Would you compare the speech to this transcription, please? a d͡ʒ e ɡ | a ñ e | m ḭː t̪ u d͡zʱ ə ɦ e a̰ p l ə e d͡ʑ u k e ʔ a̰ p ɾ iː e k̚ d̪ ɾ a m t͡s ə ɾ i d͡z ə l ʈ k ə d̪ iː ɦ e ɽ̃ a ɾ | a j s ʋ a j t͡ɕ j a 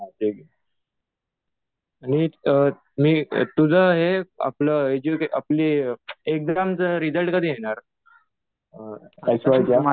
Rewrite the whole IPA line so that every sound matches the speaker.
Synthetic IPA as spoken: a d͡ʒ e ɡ | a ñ i | m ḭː t̪ u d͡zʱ ə ɦ e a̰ p l ə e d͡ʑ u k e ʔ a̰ p l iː e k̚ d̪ ɾ a m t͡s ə ɾ i d͡z ə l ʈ k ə d̪ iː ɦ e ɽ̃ a ɾ | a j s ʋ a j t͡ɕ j a